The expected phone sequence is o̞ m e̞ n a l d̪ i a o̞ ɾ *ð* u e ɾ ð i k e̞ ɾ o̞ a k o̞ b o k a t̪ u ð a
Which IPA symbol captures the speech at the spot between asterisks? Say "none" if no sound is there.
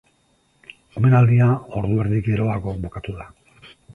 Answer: ð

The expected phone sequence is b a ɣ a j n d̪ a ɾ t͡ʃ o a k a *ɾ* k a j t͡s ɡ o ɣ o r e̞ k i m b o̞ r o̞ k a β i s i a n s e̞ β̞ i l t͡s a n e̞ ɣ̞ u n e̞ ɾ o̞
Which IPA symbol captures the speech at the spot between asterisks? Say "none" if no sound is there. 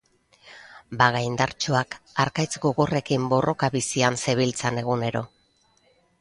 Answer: ɾ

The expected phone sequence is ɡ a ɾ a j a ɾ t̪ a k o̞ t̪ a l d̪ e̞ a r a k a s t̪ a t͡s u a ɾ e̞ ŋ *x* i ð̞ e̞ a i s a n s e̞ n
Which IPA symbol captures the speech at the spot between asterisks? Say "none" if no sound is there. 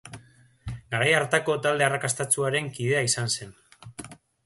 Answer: k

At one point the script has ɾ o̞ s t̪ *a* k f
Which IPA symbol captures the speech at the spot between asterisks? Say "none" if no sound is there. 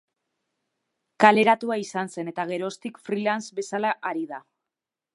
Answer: i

